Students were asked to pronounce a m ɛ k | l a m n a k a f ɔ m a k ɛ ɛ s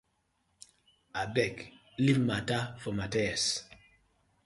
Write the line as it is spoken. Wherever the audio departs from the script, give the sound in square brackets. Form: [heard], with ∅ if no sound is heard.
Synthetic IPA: a [b] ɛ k | l [i] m [m] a [t] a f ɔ m a [t] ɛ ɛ s